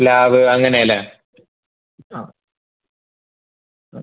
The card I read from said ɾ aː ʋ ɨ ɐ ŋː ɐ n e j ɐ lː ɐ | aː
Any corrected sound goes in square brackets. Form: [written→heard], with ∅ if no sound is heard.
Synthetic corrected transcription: [ɾ→l] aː ʋ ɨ ɐ ŋː ɐ n e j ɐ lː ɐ | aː

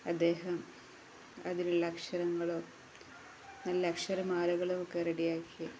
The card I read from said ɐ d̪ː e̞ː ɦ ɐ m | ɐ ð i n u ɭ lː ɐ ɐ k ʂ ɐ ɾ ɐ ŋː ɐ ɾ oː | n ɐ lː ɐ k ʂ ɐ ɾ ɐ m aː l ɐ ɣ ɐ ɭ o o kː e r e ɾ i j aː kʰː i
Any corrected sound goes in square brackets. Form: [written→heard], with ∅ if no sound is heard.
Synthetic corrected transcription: ɐ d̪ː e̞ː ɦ ɐ m | ɐ ð i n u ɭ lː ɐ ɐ k ʂ ɐ ɾ ɐ ŋː ɐ [ɾ→ɭ] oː | n ɐ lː ɐ k ʂ ɐ ɾ ɐ m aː l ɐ ɣ ɐ ɭ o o kː e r e [ɾ→ɽ] i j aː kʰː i

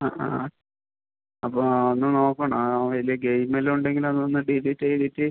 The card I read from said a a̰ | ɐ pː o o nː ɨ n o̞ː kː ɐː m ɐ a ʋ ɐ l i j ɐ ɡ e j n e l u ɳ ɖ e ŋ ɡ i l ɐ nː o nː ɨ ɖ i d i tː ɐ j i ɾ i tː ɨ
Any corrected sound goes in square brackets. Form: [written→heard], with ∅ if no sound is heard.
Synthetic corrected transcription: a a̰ | ɐ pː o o nː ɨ n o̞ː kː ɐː [m→ɳ] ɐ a ʋ ɐ l i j ɐ ɡ e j [n→m] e l u ɳ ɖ e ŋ ɡ i l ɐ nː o nː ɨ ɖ i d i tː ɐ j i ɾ i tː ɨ

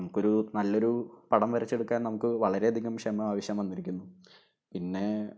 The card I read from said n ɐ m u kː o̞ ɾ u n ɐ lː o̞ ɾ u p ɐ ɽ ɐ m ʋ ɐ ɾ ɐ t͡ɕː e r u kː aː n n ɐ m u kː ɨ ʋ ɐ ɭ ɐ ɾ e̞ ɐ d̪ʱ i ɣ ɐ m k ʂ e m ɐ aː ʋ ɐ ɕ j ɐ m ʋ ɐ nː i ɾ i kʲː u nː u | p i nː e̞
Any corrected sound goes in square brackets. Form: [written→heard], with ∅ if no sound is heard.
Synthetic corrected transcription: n ɐ m u kː o̞ ɾ u n ɐ lː o̞ ɾ u p ɐ ɽ ɐ m ʋ ɐ ɾ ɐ t͡ɕː e [r→ɽ] u kː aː n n ɐ m u kː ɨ ʋ ɐ ɭ ɐ ɾ e̞ ɐ d̪ʱ i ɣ ɐ m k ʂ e m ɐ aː ʋ ɐ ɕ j ɐ m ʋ ɐ nː i ɾ i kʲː u nː u | p i nː e̞

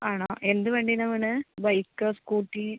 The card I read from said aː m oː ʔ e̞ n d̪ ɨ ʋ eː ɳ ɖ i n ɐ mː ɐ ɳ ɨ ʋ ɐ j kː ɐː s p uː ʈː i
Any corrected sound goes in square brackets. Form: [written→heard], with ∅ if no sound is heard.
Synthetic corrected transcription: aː [m→ɳ] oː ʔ e̞ n d̪ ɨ ʋ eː ɳ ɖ i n ɐ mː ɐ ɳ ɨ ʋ ɐ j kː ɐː s [p→k] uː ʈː i

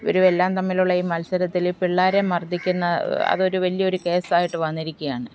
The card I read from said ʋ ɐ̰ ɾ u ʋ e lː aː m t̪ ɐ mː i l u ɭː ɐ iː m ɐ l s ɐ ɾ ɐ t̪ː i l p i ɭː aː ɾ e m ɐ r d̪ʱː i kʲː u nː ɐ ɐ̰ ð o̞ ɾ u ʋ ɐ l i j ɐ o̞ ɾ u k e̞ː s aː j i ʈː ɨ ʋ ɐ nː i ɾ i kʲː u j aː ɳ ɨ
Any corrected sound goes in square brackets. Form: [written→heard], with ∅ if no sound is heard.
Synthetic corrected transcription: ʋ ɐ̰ ɾ u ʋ e lː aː m t̪ ɐ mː i l u ɭː ɐ iː m ɐ l s ɐ ɾ ɐ t̪ː i l p i ɭː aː ɾ e m ɐ r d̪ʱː i kʲː u nː ɐ ɐ̰ ð o̞ ɾ u ʋ ɐ l i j ɐ o̞ ɾ u k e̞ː s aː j i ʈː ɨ ʋ ɐ nː i ɾ i kʲː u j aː ɳ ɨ

